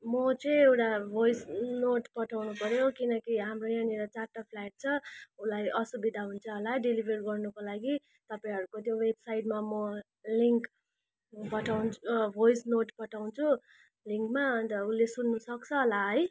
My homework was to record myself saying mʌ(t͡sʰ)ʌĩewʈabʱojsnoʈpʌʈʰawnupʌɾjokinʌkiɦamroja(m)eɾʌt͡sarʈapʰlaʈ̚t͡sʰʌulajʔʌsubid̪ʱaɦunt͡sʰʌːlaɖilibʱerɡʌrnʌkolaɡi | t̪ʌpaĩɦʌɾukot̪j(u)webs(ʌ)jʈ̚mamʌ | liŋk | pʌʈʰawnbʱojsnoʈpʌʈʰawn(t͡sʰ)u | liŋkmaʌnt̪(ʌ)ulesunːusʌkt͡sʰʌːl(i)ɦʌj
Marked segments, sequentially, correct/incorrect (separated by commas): incorrect, incorrect, incorrect, incorrect, correct, correct, incorrect